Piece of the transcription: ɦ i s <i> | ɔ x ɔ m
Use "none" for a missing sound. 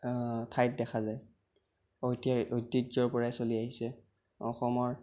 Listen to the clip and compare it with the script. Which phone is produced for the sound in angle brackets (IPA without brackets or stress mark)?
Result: ɛ